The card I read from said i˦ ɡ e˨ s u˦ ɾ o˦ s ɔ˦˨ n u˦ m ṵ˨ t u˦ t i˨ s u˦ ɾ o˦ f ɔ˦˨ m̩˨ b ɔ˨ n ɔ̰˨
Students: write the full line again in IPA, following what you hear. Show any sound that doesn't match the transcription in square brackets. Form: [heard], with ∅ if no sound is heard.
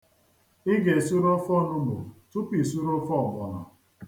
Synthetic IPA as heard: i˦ ɡ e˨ s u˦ ɾ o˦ [f] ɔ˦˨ n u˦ m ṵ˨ t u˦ [p] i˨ s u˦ ɾ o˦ f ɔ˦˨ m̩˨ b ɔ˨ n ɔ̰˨

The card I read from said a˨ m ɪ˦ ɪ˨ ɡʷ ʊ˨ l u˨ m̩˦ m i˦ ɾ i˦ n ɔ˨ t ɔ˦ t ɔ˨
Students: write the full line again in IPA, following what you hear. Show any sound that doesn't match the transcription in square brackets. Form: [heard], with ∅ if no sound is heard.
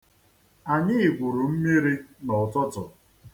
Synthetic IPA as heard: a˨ [ɲ] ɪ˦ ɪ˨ ɡʷ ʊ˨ [ɾ] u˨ m̩˦ m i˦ ɾ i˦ n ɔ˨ t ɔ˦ t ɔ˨

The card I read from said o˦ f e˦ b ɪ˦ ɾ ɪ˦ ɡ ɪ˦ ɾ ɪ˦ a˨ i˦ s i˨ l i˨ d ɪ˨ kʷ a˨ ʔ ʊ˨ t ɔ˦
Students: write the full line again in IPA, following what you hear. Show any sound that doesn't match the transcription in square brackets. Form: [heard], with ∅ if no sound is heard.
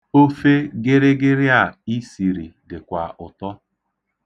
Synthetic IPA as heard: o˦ f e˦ [ɡ] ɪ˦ ɾ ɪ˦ ɡ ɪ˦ ɾ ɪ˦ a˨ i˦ s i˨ [ɾ] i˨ d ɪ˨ kʷ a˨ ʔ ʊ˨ t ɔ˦

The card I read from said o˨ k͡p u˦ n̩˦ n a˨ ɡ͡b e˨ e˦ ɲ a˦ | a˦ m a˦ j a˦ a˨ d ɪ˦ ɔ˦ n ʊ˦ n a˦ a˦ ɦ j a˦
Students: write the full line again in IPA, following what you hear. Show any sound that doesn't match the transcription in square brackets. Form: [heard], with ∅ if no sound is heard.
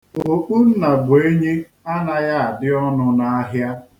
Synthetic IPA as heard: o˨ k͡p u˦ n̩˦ n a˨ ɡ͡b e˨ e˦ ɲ [e˦] | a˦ [n] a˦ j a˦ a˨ d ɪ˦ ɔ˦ n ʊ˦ n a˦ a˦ ɦ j a˦

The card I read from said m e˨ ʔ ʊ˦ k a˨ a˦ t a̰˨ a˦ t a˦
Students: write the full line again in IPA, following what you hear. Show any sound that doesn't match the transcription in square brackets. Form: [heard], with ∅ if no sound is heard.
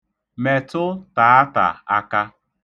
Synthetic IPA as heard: m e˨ [t] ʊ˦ [t] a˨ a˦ t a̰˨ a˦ [k] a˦

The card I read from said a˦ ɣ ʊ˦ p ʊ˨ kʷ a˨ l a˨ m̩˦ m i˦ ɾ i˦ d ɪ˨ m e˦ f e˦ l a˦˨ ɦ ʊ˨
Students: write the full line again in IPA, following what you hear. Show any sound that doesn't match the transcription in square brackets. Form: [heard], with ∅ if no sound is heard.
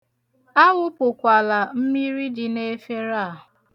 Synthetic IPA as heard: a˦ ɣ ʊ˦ p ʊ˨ kʷ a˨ l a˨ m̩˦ m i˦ ɾ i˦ d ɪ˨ [n] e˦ f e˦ [ɾ] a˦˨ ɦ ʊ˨

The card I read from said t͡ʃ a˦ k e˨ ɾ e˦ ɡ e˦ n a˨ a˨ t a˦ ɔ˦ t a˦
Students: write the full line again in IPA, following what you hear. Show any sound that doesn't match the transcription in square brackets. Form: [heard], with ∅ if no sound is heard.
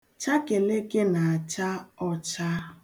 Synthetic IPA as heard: t͡ʃ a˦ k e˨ [l] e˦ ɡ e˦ n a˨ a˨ [t͡ʃ] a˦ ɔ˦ [t͡ʃ] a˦

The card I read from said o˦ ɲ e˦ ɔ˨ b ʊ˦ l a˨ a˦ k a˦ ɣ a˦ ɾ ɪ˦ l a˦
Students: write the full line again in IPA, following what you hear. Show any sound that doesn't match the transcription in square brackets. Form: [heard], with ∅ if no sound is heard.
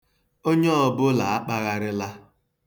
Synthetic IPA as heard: o˦ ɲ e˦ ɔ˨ b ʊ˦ l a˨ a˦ [k͡p] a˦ ɣ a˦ ɾ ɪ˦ l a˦

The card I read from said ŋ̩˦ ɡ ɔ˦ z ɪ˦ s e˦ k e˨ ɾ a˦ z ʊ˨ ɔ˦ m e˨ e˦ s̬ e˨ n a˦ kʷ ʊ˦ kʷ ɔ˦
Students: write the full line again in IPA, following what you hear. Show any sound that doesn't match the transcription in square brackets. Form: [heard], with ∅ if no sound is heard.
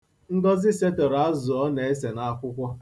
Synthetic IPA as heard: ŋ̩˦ ɡ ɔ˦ z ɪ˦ s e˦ [t] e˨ ɾ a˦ z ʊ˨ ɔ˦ [n] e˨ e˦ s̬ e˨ n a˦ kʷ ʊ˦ kʷ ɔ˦

